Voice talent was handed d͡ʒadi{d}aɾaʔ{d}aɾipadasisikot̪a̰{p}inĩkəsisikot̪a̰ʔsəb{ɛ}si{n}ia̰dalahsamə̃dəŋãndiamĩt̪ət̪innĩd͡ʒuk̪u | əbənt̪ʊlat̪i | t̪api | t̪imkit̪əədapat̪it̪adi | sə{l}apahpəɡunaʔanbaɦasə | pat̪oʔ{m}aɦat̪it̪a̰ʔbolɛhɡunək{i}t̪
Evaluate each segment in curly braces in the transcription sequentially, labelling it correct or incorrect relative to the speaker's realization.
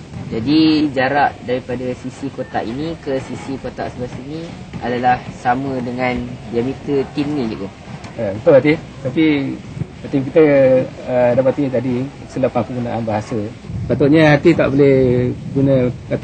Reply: incorrect, correct, incorrect, incorrect, correct, correct, incorrect, incorrect

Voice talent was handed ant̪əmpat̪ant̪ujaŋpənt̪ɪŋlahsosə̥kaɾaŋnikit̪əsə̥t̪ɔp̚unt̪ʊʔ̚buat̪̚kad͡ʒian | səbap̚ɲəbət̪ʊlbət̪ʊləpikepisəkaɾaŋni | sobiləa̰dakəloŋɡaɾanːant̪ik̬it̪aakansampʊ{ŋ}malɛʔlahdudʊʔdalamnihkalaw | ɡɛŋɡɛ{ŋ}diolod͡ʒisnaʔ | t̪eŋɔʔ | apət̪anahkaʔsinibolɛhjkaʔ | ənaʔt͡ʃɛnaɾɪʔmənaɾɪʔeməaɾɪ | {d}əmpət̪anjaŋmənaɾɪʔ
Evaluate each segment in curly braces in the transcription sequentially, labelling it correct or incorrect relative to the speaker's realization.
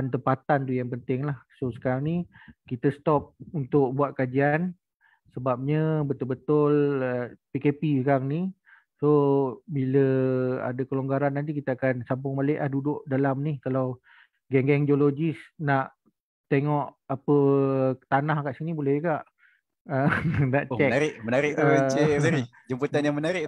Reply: correct, correct, incorrect

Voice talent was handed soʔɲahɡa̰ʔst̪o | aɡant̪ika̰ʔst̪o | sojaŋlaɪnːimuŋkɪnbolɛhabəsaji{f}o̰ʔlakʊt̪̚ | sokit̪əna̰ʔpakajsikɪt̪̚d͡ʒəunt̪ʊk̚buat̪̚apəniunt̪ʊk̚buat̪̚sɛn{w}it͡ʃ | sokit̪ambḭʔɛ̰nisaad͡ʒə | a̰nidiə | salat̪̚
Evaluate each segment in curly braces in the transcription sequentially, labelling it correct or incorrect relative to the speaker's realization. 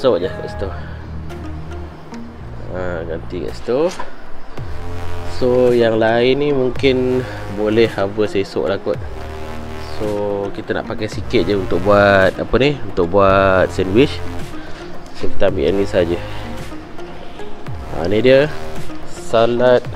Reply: incorrect, correct

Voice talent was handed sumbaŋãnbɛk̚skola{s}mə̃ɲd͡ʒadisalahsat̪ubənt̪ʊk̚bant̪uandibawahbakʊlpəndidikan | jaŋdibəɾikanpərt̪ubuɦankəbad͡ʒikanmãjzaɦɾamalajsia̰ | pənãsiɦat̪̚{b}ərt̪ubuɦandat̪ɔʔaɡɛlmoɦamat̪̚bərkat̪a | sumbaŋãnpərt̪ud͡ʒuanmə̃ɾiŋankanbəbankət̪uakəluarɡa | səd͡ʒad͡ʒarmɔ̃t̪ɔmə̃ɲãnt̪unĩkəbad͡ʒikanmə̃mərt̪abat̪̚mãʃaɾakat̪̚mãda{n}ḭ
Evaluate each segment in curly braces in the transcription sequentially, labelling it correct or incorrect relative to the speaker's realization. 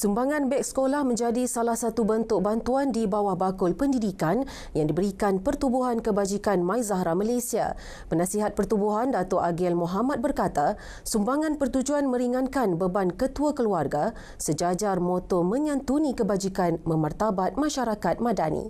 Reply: incorrect, incorrect, correct

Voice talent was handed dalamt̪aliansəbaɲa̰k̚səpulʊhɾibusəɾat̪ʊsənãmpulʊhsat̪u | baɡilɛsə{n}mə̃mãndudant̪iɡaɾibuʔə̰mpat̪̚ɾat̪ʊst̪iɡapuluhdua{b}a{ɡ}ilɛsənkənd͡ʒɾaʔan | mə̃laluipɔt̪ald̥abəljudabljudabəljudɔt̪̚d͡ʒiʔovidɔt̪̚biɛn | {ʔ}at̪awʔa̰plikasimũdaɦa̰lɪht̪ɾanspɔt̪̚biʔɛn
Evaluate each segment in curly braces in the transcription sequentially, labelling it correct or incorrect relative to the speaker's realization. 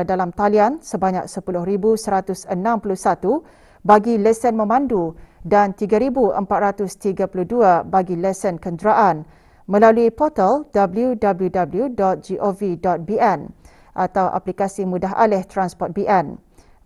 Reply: correct, correct, correct, correct

